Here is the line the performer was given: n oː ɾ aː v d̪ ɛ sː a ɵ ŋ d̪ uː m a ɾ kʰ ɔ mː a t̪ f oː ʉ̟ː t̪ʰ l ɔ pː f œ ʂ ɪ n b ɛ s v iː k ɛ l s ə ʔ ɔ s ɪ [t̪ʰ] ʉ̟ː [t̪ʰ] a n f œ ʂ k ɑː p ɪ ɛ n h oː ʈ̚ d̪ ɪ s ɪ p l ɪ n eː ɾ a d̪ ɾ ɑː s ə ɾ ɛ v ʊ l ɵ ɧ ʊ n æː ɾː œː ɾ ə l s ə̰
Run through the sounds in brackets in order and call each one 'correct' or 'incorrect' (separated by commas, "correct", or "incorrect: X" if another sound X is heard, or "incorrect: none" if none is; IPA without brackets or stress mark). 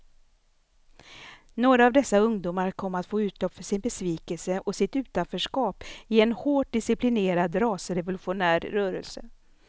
incorrect: t̪, incorrect: t̪